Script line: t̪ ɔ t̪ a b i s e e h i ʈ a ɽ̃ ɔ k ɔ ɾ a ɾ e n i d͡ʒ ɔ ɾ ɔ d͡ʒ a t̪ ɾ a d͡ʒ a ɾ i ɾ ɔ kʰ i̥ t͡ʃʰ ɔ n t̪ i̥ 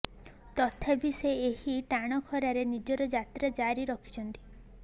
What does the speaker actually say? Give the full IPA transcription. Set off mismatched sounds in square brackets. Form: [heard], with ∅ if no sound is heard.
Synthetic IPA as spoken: t̪ ɔ [t̪ʰ] a b i s e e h i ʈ a ɽ̃ ɔ [kʰ] ɔ ɾ a ɾ e n i d͡ʒ ɔ ɾ ɔ d͡ʒ a t̪ ɾ a d͡ʒ a ɾ i ɾ ɔ kʰ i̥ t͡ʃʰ ɔ n t̪ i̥